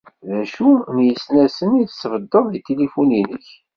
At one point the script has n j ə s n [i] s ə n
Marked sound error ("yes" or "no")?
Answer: yes